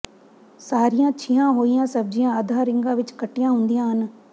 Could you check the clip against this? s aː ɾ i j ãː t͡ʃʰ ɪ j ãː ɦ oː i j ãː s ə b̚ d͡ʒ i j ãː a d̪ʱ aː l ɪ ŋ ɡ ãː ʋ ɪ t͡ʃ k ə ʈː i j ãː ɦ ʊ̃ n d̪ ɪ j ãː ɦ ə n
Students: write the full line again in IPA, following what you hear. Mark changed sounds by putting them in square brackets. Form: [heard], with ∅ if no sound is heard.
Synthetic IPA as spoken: s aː ɾ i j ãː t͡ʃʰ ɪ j ãː ɦ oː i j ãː s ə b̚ d͡ʒ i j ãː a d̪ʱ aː [ɾ] ɪ ŋ ɡ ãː ʋ ɪ t͡ʃ k ə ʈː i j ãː ɦ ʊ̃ n d̪ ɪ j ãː ɦ ə n